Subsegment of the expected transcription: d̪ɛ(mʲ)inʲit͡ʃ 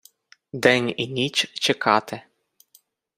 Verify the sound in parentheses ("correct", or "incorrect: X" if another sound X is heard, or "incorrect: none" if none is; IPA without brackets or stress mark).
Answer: incorrect: nʲ